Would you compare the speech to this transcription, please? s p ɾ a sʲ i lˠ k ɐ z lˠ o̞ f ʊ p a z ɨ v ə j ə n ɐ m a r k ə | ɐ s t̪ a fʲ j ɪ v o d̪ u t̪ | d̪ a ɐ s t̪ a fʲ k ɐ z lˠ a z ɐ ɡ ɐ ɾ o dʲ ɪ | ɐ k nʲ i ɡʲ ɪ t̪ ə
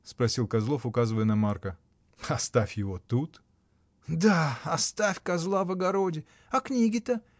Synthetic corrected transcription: s p ɾ ɐ sʲ i lˠ k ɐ z lˠ o̞ f ʊ k a z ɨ v ə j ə n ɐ m a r k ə | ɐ s t̪ a fʲ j ɪ v o t̪ u t̪ | d̪ a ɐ s t̪ a fʲ k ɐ z lˠ a v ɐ ɡ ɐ ɾ o dʲ ɪ | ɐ k nʲ i ɡʲ ɪ t̪ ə